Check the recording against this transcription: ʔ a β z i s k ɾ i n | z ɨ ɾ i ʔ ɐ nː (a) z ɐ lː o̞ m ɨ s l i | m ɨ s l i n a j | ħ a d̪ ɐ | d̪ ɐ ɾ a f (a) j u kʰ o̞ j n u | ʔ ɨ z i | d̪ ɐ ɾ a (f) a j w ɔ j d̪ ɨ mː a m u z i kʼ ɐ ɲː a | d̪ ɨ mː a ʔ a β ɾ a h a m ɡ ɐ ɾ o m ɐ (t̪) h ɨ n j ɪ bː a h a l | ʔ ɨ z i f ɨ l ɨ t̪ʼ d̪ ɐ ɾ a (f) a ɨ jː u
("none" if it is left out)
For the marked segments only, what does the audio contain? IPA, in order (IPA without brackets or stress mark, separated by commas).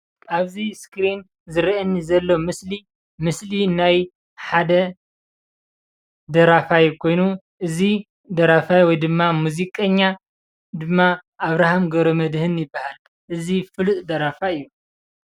i, a, f, d̪, f